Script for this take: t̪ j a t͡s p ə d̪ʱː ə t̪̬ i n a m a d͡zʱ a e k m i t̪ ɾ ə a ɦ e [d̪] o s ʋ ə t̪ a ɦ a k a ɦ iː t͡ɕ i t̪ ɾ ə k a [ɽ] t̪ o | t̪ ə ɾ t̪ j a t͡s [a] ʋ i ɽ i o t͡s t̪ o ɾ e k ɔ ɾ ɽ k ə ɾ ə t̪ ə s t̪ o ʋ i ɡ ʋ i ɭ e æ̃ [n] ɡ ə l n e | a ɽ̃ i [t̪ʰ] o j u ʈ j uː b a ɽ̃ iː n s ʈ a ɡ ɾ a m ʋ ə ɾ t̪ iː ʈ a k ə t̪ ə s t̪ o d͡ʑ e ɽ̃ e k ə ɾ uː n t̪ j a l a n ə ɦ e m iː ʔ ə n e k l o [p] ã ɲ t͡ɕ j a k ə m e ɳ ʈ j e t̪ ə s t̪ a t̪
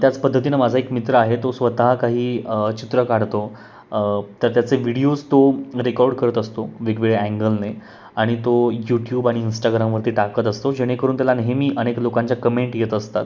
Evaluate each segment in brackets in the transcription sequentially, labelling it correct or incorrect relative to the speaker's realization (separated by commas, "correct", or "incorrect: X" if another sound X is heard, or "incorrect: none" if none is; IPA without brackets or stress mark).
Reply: incorrect: t̪, correct, incorrect: e, incorrect: ŋ, incorrect: t̪, incorrect: k